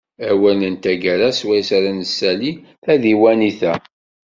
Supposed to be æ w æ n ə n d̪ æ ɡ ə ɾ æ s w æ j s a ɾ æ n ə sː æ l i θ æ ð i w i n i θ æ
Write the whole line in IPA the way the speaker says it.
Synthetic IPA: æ w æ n ə n t̪ æ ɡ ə ɾ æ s w æ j s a ɾ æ n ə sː æ l i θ æ ð i w æ n i θ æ